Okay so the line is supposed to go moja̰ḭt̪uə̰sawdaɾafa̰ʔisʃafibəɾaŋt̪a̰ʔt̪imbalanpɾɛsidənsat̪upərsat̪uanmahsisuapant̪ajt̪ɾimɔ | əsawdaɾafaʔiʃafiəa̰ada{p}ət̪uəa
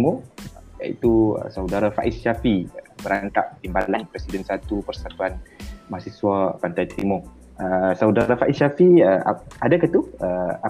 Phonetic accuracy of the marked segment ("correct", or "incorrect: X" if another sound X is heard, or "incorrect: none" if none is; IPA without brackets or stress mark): incorrect: k